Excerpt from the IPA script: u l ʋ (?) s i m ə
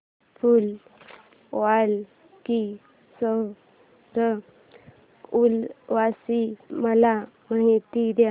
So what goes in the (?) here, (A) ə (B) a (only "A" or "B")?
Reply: B